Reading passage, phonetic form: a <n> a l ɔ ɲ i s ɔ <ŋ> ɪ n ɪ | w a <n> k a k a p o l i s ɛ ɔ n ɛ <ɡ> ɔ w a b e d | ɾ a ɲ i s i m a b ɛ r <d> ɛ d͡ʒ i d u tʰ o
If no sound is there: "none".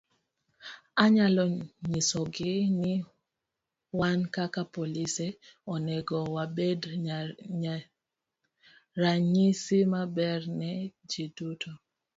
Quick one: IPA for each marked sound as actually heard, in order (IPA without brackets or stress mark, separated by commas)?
ɲ, ɡ, n, ɡ, n